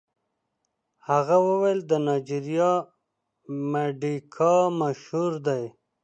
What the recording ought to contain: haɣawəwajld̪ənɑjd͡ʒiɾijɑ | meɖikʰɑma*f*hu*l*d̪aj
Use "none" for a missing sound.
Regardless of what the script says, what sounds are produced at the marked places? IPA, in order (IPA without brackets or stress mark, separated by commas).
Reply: ʃ, ɾ